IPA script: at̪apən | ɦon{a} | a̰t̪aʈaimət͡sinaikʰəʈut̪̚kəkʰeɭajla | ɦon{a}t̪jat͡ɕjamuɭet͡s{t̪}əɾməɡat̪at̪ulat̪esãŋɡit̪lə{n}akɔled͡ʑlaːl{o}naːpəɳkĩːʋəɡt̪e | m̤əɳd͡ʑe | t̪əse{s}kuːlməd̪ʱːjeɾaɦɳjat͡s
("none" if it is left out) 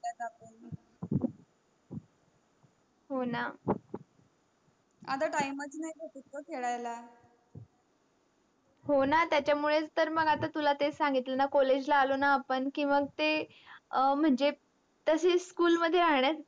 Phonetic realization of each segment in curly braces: a, a, t̪, n, o, s

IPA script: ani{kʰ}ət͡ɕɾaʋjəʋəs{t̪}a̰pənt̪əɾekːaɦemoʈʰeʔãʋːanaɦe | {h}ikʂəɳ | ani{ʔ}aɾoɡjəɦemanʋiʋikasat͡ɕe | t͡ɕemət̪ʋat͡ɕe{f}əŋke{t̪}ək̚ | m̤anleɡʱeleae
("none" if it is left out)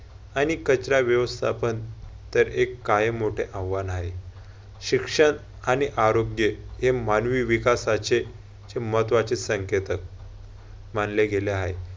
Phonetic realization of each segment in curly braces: k, t̪ʰ, ɕ, ʔ, s, t̪

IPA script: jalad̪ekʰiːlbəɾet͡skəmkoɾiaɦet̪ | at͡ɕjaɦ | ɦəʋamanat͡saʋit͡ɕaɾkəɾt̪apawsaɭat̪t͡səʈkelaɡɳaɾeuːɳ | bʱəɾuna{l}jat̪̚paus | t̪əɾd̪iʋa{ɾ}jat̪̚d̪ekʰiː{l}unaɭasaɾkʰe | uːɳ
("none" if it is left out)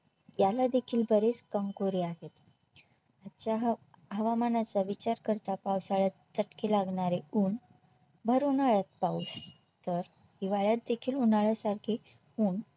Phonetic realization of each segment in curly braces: ɭ, ɭ, l

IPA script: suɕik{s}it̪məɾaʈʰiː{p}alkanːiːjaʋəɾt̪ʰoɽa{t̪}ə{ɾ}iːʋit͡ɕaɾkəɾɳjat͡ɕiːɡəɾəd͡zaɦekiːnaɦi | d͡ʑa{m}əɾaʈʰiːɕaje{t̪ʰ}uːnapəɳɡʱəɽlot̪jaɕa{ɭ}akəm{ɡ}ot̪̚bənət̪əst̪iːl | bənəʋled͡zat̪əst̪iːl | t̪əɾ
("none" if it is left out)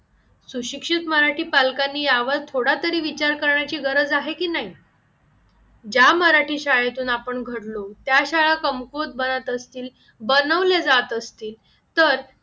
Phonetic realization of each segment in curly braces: ʂ, p, t̪, ɾ, m, t̪, ɭ, k

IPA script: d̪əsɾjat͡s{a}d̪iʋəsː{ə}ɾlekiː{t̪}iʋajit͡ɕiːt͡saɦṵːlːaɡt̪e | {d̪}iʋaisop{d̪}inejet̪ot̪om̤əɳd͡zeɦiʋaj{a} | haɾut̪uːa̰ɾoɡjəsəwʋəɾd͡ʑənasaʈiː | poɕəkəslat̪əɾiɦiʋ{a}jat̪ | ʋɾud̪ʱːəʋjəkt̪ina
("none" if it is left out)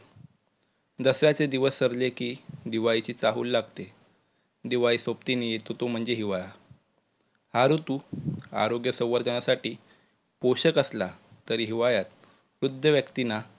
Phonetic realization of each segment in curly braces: e, ə, d̪, d̪, t̪, a, a

